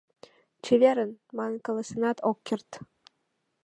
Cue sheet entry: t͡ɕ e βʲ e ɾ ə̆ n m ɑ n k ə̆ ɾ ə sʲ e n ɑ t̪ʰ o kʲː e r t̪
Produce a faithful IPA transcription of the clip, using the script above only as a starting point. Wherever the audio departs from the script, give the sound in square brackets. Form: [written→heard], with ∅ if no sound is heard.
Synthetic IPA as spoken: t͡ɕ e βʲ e ɾ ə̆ n m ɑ n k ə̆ [ɾ→l] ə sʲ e n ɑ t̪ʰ o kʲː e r t̪